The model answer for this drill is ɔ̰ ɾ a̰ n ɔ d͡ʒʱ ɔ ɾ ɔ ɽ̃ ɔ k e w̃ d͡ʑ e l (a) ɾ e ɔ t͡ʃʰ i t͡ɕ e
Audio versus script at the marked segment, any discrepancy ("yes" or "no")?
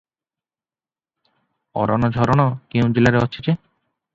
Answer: no